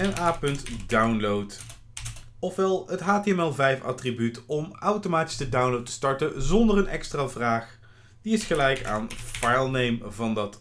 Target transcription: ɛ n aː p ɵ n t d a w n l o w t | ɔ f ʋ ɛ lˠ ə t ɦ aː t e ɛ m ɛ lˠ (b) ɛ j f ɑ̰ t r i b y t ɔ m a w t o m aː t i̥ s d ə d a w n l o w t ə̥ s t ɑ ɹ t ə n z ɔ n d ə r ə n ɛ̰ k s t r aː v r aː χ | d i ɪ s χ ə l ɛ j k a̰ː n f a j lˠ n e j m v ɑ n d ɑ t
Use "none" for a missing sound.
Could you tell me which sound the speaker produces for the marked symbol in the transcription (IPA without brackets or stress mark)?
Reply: v